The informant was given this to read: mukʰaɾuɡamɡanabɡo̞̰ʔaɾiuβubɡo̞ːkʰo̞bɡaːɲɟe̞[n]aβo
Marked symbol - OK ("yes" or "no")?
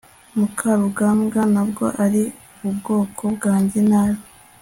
yes